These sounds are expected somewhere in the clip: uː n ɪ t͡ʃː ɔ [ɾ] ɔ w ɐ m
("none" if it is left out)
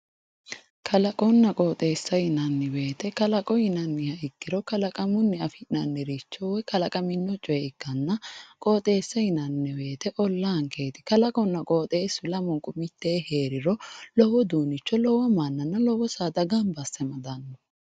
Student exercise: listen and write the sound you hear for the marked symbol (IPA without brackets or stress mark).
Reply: l